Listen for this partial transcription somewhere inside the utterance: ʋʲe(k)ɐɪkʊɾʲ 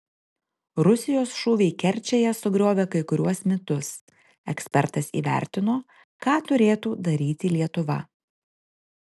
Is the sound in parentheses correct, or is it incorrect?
correct